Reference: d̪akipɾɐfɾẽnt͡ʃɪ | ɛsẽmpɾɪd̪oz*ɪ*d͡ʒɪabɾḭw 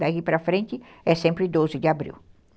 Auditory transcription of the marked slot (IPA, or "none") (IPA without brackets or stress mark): ɪ